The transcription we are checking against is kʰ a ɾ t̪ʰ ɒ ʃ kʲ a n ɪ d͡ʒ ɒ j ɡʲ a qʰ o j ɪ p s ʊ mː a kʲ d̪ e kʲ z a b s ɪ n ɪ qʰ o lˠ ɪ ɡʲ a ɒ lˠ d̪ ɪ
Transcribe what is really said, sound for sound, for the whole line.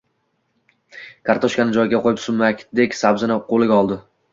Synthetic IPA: kʰ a ɾ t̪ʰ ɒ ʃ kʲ a n ɪ d͡ʒ ɒ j ɡʲ a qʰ o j ɪ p s ʊ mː a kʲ d̪ e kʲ s a b z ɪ n ɪ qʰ o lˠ ɪ ɡʲ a ɒ lˠ d̪ ɪ

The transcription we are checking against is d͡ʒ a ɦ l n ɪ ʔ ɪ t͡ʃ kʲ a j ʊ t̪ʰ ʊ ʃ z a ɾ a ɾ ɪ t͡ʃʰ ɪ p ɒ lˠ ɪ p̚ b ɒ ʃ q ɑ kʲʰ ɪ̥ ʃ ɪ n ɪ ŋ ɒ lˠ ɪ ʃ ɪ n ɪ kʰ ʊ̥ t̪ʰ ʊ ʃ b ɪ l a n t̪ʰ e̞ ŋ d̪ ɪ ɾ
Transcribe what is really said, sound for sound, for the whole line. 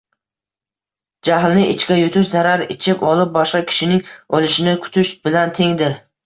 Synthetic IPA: d͡ʒ a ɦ l n ɪ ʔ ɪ t͡ʃ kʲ a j ʊ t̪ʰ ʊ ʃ z a ɾ a ɾ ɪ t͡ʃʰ ɪ p ɒ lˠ ɪ p̚ b ɒ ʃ q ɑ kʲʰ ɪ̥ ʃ ɪ n ɪ ŋ ɒ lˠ ɪ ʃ ɪ n ɪ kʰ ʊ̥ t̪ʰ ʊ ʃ b ɪ l a n t̪ʰ e̞ ŋ d̪ ɪ ɾ

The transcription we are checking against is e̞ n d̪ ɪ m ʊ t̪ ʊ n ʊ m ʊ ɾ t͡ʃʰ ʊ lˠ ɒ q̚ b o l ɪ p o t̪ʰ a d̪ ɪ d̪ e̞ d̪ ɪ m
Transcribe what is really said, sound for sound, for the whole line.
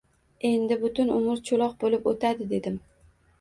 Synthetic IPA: e̞ n d̪ ɪ b ʊ t̪ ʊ n ʊ m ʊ ɾ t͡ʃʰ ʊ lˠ ɒ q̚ b o l ɪ p o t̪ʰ a d̪ ɪ d̪ e̞ d̪ ɪ m

